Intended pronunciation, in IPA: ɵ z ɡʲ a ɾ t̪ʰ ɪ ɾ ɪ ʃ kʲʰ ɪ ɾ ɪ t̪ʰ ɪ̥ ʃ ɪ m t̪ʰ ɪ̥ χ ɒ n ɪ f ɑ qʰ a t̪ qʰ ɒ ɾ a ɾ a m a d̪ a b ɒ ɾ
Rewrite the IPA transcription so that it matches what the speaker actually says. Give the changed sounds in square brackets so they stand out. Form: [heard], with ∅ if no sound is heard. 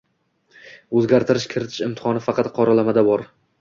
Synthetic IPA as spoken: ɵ z ɡʲ a ɾ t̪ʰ ɪ ɾ ɪ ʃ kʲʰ ɪ ɾ ɪ t̪ʰ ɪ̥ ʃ ɪ m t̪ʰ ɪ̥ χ ɒ n ɪ f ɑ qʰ [ɑ] t̪ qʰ ɒ ɾ a [l] a m a d̪ a b ɒ ɾ